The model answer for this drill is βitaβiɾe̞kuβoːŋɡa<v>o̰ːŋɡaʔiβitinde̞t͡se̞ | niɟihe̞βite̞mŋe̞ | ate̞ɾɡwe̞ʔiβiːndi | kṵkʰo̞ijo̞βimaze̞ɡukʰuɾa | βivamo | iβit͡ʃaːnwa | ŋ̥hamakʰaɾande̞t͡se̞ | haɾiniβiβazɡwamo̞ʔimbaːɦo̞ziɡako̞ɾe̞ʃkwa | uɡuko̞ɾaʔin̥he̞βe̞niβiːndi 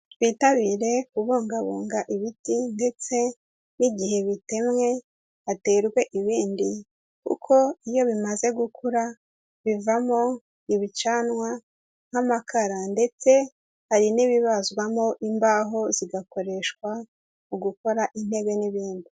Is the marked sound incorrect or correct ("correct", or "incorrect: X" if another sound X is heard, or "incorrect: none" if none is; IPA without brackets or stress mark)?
incorrect: β